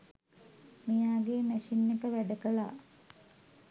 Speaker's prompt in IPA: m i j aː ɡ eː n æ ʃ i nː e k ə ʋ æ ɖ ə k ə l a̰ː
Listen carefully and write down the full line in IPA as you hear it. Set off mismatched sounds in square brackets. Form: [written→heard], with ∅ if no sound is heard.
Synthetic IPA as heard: m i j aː ɡ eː [n→m] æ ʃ i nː e k ə ʋ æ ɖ ə k ə l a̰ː